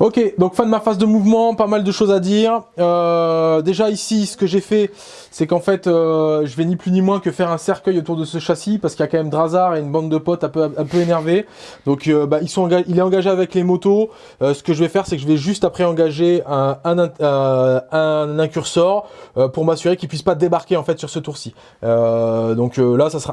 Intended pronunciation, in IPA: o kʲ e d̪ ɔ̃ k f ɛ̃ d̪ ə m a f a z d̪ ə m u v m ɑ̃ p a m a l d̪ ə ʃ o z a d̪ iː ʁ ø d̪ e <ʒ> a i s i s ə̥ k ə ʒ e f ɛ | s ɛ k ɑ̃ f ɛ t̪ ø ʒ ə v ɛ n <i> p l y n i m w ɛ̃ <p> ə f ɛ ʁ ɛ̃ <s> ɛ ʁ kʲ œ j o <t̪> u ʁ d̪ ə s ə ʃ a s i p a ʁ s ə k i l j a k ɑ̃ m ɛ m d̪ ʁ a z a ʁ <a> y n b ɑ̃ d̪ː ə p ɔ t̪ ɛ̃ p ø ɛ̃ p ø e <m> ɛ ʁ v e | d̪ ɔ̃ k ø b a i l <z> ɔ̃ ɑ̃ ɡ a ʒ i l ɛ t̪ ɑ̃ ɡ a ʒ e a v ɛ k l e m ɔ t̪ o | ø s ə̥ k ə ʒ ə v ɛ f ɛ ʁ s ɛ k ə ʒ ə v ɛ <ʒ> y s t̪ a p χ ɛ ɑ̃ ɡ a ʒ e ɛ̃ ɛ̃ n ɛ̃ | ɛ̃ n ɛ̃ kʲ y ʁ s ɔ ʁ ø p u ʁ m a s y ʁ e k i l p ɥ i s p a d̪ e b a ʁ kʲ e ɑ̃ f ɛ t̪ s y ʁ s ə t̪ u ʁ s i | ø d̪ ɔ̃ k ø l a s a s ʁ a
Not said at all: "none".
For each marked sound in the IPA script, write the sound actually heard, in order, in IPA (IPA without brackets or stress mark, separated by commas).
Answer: ʒ, i, k, s, t̪, e, n, s, ʒ